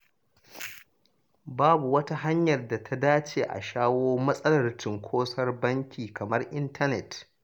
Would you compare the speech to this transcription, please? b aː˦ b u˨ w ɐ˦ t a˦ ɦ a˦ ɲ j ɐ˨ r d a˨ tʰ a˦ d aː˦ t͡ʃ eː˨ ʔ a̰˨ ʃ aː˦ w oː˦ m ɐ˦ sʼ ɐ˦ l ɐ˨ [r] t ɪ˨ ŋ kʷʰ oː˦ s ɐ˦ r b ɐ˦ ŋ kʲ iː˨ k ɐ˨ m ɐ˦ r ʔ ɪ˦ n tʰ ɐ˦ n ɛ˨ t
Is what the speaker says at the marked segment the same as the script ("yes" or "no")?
yes